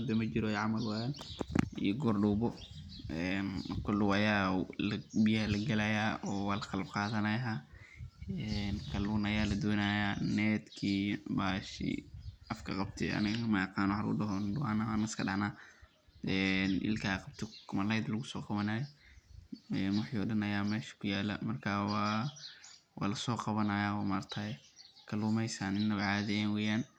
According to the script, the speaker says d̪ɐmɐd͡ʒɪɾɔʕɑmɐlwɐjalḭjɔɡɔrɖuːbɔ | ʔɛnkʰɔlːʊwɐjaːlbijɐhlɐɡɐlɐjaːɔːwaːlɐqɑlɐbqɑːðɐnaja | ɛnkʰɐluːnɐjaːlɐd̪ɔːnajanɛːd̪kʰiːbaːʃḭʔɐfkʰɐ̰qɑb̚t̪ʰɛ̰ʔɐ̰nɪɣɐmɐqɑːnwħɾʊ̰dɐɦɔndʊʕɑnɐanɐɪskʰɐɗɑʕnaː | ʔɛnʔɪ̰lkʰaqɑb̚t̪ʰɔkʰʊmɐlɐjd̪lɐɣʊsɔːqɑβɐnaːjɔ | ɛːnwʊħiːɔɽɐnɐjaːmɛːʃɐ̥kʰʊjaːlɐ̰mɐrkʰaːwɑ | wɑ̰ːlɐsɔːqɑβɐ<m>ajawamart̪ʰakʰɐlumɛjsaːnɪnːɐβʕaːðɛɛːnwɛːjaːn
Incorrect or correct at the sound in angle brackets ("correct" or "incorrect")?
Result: incorrect